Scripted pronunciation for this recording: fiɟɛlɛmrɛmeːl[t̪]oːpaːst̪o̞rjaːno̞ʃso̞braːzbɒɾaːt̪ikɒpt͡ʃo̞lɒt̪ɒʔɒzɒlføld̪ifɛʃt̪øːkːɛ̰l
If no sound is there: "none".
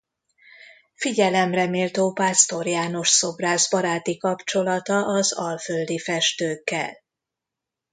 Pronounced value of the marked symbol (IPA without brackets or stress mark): t̪